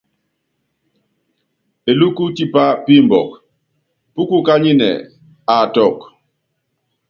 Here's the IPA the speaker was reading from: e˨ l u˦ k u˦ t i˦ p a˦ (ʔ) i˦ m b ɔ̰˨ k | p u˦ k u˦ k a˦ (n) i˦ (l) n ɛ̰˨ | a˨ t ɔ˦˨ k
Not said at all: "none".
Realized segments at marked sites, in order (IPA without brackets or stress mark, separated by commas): p, ɲ, none